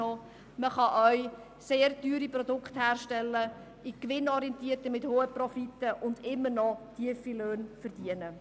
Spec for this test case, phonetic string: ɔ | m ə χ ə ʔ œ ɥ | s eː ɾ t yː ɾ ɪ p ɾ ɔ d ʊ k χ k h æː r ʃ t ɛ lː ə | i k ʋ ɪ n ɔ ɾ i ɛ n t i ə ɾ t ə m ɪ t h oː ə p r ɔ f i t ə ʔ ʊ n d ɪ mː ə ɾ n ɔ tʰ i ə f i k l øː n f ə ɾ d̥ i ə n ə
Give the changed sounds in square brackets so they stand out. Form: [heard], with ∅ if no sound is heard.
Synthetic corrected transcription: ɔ | m ə χ [ɑ] ʔ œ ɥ | s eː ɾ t yː ɾ [i] p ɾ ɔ d ʊ k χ [t] h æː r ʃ t ɛ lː ə | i k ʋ ɪ n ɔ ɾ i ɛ n t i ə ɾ t ə m ɪ t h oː ə p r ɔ f i t ə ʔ ʊ n d ɪ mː ə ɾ n ɔ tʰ i ə f i [∅] l øː n f ə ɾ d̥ i ə n ə